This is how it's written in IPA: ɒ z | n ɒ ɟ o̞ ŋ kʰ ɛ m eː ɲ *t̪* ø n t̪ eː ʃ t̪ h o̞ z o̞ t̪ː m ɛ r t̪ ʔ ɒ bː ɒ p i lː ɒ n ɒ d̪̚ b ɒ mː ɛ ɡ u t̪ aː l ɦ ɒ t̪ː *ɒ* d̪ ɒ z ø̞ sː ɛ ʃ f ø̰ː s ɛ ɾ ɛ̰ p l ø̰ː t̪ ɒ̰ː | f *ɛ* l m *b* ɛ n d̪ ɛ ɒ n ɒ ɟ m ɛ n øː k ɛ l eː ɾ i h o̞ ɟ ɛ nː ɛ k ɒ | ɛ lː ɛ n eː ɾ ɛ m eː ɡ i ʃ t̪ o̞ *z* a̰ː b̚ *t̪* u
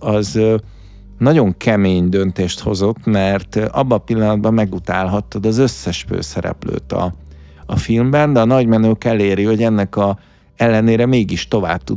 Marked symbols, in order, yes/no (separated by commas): no, no, no, yes, no, yes